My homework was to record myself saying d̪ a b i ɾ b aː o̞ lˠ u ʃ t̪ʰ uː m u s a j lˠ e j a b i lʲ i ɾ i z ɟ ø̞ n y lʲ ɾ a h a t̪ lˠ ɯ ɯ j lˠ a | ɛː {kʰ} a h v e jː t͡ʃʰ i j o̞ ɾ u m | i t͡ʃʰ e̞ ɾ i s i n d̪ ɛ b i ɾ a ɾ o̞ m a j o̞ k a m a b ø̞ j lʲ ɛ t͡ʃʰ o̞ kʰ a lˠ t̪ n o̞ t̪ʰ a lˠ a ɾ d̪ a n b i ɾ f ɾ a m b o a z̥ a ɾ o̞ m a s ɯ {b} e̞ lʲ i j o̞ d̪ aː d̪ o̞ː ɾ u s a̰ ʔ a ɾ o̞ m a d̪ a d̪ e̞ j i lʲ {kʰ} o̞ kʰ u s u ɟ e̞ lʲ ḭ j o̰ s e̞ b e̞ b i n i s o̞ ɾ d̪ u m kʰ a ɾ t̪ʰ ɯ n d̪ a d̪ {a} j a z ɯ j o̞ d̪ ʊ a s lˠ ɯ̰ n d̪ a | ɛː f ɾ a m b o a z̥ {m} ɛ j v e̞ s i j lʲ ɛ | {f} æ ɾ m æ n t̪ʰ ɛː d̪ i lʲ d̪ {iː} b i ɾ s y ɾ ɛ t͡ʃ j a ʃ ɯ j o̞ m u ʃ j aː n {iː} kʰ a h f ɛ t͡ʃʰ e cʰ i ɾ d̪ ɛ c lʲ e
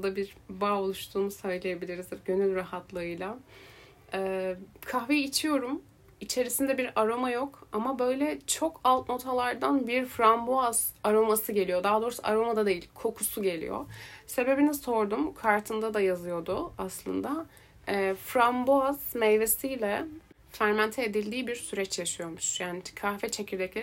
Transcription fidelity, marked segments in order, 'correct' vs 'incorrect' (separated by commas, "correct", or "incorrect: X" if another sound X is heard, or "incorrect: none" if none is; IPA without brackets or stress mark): correct, incorrect: ɟ, correct, correct, correct, correct, correct, incorrect: i